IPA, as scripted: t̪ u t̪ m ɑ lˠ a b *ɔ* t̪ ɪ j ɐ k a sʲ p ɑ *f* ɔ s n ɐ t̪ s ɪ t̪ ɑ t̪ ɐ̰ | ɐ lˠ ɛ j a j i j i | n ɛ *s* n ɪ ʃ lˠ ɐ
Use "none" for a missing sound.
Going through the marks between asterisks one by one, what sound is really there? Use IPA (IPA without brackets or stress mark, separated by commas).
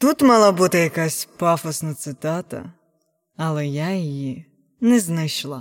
u, f, z